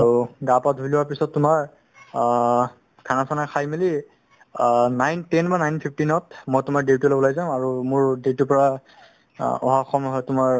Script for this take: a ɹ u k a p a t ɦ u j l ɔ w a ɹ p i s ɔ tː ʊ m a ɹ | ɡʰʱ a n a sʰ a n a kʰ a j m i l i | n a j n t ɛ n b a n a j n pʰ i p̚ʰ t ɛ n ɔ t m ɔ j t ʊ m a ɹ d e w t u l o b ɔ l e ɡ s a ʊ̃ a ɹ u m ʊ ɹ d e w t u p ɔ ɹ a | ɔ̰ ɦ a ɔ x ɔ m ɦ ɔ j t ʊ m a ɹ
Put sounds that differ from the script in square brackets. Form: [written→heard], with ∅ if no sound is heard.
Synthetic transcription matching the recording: a ɹ u [k→ɡ] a p a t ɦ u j l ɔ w a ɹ p i s ɔ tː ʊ m a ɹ | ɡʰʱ a n a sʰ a n a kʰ a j m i l i | n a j n t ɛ n b a n a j n pʰ i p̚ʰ t [ɛ→i] n ɔ t m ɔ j t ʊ m a ɹ d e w t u l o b ɔ l [e→a] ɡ [s→z] a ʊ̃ a ɹ u m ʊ ɹ d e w t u p ɔ ɹ a | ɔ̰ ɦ a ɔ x ɔ m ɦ ɔ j t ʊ m a ɹ